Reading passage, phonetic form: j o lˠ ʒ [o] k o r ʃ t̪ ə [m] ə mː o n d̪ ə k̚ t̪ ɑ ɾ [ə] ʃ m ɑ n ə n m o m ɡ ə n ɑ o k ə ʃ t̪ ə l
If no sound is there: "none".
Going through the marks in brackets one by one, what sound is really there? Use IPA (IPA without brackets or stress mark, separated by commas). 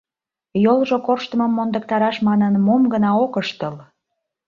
o, m, ɑ